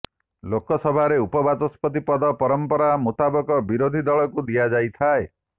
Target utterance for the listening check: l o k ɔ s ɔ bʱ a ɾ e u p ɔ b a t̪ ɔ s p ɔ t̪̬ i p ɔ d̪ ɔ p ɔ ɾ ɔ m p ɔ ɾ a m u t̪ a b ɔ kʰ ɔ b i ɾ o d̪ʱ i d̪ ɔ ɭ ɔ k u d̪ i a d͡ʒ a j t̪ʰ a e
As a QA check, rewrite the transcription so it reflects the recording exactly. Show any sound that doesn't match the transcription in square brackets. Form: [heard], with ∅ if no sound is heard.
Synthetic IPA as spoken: l o k ɔ s ɔ bʱ a ɾ e u p ɔ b a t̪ ɔ s p ɔ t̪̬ i p ɔ d̪ ɔ p ɔ ɾ ɔ m p ɔ ɾ a m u t̪ a b ɔ [k] ɔ b i ɾ o d̪ʱ i d̪ ɔ ɭ ɔ k u d̪ i a d͡ʒ a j t̪ʰ a e